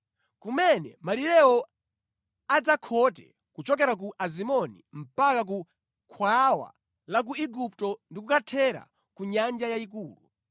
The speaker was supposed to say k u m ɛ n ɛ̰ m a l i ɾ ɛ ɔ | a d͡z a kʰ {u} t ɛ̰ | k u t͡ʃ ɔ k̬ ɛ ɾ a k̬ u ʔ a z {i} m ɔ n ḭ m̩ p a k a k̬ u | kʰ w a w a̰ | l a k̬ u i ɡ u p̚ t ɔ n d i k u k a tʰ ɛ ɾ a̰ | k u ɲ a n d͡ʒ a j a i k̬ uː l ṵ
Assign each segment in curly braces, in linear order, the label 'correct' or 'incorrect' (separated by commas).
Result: incorrect, correct